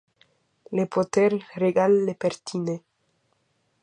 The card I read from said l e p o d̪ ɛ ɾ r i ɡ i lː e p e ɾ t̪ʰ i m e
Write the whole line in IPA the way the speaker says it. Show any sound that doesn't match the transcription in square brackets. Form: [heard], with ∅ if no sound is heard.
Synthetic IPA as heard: l e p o [t̪] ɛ ɾ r [e] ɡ [a] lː e p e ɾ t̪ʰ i [n] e